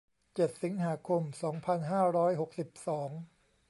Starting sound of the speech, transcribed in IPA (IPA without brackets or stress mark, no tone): t͡ɕ